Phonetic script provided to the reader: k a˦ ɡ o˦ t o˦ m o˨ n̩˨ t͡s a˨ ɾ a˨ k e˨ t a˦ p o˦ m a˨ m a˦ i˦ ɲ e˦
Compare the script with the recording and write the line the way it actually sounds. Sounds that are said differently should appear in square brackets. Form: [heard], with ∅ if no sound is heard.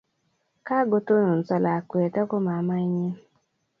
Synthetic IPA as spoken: k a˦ ɡ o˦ t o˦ [n] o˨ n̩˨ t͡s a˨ [l] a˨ k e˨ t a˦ [k] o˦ m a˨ m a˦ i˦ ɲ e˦